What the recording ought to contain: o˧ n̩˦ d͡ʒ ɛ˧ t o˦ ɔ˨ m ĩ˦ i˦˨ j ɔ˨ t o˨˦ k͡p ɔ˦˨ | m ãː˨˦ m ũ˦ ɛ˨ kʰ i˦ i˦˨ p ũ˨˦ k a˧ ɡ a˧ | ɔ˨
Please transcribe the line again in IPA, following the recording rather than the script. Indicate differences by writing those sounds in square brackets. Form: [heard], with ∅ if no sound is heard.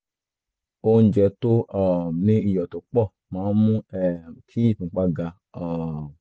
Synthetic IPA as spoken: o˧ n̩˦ d͡ʒ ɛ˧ t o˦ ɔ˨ [n] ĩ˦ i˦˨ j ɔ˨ t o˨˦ k͡p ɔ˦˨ | m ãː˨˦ m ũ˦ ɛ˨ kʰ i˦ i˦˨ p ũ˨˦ [k͡p] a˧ ɡ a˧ | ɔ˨